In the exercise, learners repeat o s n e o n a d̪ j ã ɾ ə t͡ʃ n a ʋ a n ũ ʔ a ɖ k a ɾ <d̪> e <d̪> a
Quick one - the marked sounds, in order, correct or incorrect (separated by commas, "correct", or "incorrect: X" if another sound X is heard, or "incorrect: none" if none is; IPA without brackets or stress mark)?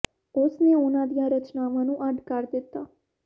correct, incorrect: t̪